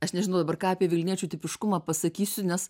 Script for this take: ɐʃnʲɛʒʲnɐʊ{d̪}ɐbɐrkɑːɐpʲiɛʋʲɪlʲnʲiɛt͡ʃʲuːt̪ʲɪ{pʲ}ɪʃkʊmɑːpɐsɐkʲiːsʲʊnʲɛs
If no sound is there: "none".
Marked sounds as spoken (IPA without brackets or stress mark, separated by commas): d̪, pʲ